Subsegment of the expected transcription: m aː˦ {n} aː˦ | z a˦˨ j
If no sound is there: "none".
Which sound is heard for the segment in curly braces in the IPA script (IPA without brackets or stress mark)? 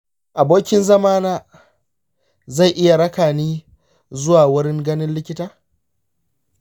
n